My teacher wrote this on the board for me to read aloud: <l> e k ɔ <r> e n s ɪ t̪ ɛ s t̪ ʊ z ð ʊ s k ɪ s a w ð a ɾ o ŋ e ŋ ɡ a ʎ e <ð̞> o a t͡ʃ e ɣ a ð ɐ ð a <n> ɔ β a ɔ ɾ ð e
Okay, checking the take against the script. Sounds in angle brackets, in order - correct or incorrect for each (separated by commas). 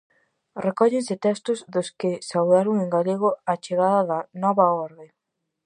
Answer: incorrect, incorrect, incorrect, correct